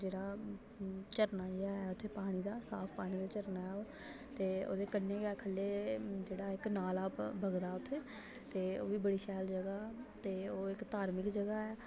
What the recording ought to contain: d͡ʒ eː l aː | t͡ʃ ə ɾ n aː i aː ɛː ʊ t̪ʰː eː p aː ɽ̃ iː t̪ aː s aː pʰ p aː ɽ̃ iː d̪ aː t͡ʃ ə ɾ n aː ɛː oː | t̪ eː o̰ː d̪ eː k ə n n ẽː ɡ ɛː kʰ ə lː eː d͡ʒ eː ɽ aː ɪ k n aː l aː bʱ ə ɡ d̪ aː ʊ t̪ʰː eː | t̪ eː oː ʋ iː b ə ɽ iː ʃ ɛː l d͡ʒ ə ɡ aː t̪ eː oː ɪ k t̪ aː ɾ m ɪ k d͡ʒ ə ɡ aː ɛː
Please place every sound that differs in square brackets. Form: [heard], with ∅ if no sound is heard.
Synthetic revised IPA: d͡ʒ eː [ɽ] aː | t͡ʃ ə ɾ n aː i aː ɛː ʊ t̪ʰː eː p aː ɽ̃ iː [d̪] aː s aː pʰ p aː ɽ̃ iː d̪ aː t͡ʃ ə ɾ n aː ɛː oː | t̪ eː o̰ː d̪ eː k ə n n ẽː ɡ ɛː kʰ ə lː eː d͡ʒ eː ɽ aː ɪ k n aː l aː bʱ ə ɡ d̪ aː ʊ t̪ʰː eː | t̪ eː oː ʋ iː b ə ɽ iː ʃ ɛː l d͡ʒ ə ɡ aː t̪ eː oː ɪ k t̪ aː ɾ m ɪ k d͡ʒ ə ɡ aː ɛː